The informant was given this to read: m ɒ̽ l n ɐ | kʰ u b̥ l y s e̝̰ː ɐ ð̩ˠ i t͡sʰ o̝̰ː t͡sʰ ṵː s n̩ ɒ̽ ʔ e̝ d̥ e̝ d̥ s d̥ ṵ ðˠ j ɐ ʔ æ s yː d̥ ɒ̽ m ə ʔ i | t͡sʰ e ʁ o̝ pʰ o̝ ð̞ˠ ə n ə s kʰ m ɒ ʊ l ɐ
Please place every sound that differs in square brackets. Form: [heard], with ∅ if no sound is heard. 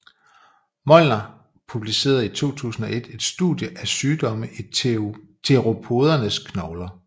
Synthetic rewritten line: m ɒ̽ l n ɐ | [pʰ] u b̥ l [i] s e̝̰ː ɐ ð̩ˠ i t͡sʰ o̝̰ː t͡sʰ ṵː s n̩ ɒ̽ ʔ e̝ d̥ e̝ d̥ s d̥ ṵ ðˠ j [ə] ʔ æ s yː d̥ ɒ̽ m ə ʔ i | t͡sʰ e ʁ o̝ pʰ o̝ ð̞ˠ [ɐ] n ə s kʰ [n] ɒ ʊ l ɐ